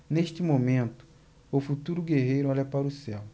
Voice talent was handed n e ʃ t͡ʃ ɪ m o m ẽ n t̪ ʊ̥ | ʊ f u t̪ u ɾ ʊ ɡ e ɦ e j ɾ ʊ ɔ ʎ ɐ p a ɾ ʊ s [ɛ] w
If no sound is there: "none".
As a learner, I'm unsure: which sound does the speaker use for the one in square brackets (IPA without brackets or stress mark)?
ɛ